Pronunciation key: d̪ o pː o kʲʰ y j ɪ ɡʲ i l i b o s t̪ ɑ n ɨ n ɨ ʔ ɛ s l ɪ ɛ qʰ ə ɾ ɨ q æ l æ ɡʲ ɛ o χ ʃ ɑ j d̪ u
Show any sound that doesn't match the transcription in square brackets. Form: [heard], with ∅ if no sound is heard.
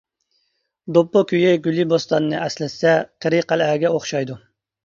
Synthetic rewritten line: d̪ o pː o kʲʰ y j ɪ ɡʲ [y] l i b o s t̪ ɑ n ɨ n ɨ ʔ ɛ s l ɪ ɛ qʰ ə ɾ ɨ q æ l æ ɡʲ ɛ o χ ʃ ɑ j d̪ u